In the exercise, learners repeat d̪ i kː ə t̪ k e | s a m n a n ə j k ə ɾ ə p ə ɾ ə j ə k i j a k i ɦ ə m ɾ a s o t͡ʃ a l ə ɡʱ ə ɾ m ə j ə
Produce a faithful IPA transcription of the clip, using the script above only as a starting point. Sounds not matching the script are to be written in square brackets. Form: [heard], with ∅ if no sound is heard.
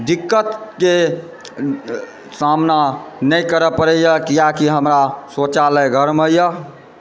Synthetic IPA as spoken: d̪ i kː ə t̪ k e | s a m n a n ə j k ə ɾ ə p ə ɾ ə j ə k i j a k i ɦ ə m ɾ a s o t͡ʃ a l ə ɡʱ ə ɾ m ə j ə